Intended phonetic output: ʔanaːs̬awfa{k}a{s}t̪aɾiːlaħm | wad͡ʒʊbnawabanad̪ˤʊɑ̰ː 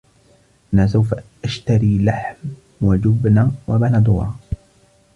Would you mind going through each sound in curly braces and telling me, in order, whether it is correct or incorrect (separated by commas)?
incorrect, incorrect